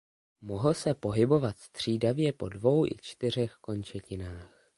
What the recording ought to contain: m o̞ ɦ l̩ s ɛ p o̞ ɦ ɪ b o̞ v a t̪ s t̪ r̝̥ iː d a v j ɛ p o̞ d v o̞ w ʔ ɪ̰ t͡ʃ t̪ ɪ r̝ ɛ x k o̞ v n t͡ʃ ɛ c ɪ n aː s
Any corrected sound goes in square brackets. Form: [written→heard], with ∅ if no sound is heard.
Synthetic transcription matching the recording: m o̞ ɦ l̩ s ɛ p o̞ ɦ ɪ b o̞ v a t̪ s t̪ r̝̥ iː d a v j ɛ p o̞ d v o̞ w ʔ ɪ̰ t͡ʃ t̪ ɪ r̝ ɛ x k o̞ [v→∅] n t͡ʃ ɛ c ɪ n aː [s→x]